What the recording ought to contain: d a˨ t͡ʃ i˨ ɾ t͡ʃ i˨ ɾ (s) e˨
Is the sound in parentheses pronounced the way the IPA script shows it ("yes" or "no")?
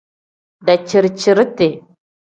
no